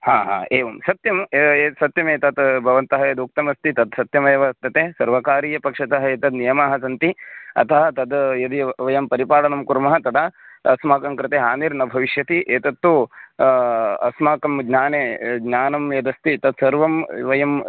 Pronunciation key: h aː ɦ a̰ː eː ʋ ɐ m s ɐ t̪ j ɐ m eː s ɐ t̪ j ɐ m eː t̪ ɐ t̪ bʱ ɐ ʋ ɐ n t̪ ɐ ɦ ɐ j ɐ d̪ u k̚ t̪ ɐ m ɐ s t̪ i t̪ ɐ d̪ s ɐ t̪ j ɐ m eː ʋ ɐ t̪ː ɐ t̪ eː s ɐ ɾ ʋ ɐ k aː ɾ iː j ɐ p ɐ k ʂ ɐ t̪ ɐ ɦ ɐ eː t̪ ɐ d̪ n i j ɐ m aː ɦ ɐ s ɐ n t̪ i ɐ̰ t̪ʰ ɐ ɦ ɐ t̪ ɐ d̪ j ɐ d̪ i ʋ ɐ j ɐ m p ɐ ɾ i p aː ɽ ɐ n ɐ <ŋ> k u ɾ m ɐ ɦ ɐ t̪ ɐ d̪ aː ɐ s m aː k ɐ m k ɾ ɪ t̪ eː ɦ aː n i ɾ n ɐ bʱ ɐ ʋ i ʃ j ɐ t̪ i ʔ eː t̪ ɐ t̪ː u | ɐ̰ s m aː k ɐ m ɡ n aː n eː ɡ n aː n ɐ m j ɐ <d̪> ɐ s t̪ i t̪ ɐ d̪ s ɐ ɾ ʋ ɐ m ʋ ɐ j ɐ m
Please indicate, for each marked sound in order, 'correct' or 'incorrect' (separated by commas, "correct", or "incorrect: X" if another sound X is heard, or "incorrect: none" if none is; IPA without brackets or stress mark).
incorrect: m, correct